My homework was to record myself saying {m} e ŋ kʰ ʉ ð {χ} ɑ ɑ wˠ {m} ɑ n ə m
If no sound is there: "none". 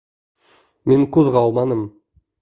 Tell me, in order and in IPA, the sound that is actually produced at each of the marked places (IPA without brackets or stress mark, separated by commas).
m, ʁ, m